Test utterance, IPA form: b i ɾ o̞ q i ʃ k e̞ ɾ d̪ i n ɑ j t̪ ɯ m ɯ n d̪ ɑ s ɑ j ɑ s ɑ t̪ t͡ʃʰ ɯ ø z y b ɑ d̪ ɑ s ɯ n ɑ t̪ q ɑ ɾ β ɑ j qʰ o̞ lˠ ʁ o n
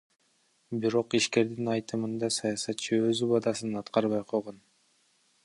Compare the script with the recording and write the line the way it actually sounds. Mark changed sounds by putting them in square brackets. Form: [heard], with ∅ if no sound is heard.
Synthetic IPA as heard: b i ɾ o̞ q i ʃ k e̞ ɾ d̪ i n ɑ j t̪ ɯ m ɯ n d̪ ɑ s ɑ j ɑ s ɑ t̪ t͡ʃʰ ɯ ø z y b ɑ d̪ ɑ s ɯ n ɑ t̪ q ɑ ɾ β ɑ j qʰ o̞ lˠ ʁ o n